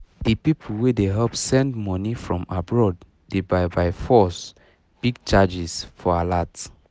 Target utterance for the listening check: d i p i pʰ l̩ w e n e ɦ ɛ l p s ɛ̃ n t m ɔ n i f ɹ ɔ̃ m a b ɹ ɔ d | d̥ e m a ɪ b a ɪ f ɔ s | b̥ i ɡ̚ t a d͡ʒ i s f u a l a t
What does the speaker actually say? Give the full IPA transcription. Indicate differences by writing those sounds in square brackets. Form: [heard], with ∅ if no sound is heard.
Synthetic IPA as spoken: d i p i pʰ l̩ w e [d] e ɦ ɛ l p s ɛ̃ n [d] m ɔ n i f ɹ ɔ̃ m a b ɹ ɔ d | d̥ e [b] a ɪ b a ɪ f ɔ s | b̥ i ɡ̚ [t͡ʃ] a d͡ʒ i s f [ɔ] a l a t